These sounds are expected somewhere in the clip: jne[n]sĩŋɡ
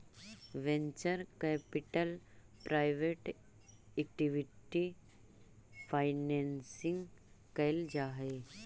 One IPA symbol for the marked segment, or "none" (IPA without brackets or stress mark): n